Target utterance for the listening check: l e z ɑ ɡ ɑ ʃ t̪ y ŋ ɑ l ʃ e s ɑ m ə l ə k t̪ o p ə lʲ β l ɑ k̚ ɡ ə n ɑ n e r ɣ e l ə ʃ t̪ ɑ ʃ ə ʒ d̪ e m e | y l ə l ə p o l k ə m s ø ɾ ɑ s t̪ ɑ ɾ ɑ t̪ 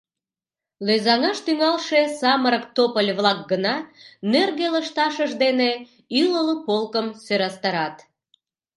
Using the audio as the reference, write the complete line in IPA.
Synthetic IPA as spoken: l e z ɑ ŋ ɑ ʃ t̪ y ŋ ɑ l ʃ e s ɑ m ə ɾ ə k t̪ o p ə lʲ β l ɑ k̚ ɡ ə n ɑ n e r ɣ e l ə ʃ t̪ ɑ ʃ ə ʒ d̪ e n e | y l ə l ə p o l k ə m s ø ɾ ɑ s t̪ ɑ ɾ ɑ t̪